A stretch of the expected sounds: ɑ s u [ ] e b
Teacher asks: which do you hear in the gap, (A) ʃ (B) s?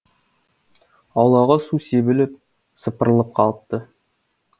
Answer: B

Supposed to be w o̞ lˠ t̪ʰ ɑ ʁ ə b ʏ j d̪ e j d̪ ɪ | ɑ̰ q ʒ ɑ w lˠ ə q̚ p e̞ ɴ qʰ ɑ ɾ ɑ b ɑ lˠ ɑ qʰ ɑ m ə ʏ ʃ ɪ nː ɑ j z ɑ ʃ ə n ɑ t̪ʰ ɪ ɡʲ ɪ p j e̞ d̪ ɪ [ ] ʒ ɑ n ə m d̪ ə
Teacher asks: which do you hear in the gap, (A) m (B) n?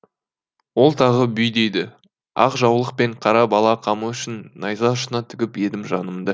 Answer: A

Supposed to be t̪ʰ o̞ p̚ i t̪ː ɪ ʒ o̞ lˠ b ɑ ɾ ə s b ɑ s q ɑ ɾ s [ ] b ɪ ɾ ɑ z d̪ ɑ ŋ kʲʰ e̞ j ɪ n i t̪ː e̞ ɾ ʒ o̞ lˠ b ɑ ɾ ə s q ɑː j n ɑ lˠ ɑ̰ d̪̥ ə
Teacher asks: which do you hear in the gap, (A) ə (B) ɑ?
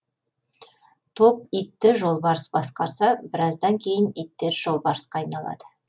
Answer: B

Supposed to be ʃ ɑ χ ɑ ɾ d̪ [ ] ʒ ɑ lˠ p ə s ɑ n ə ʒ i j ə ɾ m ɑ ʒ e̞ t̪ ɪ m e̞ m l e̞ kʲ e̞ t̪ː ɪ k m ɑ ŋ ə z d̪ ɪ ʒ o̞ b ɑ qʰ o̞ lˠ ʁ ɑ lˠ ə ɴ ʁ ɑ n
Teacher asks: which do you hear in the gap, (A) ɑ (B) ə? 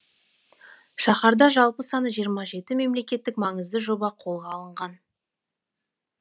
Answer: A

